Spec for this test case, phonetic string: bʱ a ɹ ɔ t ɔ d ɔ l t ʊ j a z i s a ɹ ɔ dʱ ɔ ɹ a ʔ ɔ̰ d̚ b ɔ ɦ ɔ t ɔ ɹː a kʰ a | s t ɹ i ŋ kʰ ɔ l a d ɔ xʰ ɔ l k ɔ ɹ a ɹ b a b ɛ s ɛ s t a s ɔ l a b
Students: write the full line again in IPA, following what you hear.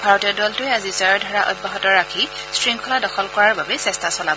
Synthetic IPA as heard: bʱ a ɹ ɔ t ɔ d ɔ l t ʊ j a z i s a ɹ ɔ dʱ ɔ ɹ a ʔ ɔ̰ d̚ b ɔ ɦ ɔ t ɔ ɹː a kʰ i | s t ɹ i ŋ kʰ ɔ l a d ɔ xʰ ɔ l k ɔ ɹ a ɹ b a b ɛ s ɛ s t a s ɔ l a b